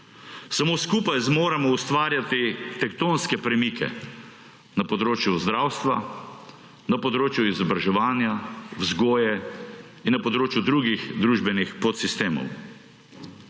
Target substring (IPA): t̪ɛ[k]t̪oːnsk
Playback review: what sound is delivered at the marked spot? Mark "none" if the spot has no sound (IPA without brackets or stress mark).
k